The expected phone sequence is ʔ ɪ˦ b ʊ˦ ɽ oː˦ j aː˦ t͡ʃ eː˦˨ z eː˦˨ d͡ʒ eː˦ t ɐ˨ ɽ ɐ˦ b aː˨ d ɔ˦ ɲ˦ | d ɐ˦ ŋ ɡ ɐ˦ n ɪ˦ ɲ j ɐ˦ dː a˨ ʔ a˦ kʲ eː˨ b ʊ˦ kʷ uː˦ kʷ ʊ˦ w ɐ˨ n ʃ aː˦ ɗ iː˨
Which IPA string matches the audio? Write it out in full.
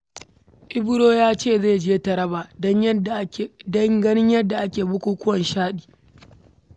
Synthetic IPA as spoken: ʔ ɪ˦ b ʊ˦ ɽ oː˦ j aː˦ t͡ʃ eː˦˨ z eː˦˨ d͡ʒ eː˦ t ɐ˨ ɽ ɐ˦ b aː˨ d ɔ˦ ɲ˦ | d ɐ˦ ŋ ɡ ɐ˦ n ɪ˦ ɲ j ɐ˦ dː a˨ ʔ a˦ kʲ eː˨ b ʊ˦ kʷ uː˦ kʷ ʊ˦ w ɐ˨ n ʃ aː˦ ɗ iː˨